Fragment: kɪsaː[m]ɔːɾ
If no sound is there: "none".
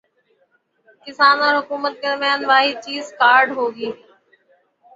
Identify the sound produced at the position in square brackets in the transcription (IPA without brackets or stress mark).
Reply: n